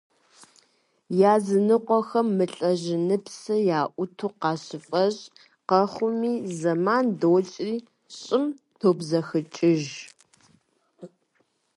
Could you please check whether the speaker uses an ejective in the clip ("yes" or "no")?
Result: yes